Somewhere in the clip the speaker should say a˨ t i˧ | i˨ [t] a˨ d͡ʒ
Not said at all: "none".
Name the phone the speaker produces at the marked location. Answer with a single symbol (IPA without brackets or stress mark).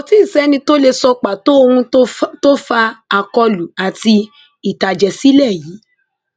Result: t